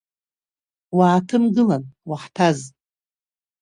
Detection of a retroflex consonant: absent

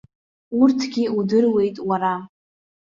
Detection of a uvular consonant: absent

